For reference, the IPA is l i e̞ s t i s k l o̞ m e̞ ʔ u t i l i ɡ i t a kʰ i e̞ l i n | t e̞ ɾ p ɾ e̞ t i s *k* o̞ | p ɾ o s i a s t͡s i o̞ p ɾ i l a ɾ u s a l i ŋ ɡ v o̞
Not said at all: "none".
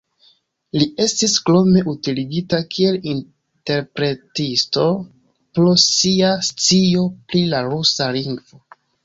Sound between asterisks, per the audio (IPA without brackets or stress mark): t